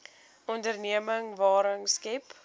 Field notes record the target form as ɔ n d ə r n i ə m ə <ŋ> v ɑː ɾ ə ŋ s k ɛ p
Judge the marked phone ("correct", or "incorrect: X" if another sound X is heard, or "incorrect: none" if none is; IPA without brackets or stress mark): correct